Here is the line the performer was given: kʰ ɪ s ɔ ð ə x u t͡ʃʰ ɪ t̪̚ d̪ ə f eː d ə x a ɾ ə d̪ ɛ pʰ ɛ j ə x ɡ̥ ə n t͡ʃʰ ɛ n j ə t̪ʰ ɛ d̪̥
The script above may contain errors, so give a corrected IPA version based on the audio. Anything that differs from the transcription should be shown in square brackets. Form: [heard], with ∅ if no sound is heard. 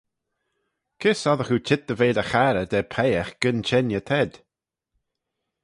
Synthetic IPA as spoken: kʰ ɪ s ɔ ð ə x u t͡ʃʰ ɪ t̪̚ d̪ ə [v] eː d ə x a ɾ ə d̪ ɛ pʰ ɛ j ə x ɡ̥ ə n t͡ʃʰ ɛ n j ə t̪ʰ ɛ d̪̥